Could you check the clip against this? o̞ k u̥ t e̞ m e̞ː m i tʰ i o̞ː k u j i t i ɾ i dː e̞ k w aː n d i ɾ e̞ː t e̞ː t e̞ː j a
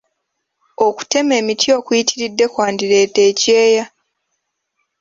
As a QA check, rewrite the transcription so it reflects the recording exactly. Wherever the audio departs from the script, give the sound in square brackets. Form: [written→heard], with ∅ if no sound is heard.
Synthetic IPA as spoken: o̞ k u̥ t e̞ m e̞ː m i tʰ i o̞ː k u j i t i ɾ i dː e̞ k w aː n d i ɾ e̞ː t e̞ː [t→c] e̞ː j a

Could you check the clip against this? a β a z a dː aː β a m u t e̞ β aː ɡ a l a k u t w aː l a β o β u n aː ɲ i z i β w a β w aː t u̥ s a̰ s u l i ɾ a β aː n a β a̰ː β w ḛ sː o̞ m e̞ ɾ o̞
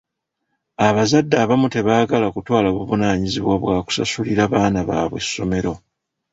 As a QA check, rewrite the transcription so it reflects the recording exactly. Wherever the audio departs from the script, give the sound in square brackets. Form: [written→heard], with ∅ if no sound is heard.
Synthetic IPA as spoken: a β a z a dː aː β a m u t e̞ β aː ɡ a l a k u t w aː l a β [o→u] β u n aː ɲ i z i β w a β w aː [t→k] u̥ s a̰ s u l i ɾ a β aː n a β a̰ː β w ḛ sː o̞ m e̞ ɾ o̞

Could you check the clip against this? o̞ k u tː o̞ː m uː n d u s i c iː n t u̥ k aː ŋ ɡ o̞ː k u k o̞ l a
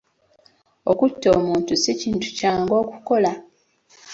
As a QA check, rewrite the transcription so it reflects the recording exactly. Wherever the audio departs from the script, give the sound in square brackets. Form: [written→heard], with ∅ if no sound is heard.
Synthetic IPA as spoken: o̞ k u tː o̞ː m uː n [d→t] u s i c iː n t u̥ [k→c] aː ŋ ɡ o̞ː k u k o̞ l a

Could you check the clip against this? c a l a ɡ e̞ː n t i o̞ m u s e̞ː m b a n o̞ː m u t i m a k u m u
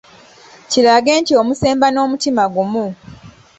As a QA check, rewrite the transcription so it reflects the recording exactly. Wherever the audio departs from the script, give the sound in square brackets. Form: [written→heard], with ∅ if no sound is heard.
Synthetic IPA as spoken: c [a→i] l a ɡ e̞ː n t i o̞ m u s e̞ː m b a n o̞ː m u t i m a [k→ɡ] u m u

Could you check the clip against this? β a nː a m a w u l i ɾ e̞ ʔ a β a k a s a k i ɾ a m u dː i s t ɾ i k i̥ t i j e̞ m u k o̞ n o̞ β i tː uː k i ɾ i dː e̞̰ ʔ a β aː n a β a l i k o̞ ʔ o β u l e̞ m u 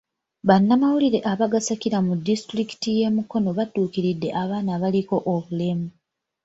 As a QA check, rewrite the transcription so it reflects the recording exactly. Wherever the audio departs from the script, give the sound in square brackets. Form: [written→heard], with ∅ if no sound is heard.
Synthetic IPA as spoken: β a nː a m a w u l i ɾ e̞ ʔ a β a [k→ɡ] a s a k i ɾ a m u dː i s t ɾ i k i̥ t i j e̞ m u k o̞ n o̞ β [i→a] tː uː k i ɾ i dː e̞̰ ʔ a β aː n a β a l i k o̞ ʔ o β u l e̞ m u

